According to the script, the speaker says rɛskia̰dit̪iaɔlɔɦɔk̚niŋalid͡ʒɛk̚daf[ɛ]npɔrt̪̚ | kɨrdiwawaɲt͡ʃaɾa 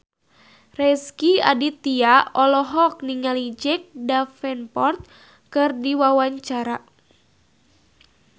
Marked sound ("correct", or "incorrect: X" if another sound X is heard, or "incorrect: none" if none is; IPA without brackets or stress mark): correct